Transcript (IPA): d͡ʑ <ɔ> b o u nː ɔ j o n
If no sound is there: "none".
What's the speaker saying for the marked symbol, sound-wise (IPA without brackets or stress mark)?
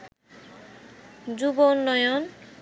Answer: u